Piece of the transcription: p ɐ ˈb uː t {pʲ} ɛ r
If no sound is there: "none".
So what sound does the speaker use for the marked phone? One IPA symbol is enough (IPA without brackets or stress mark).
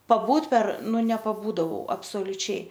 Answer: pʲ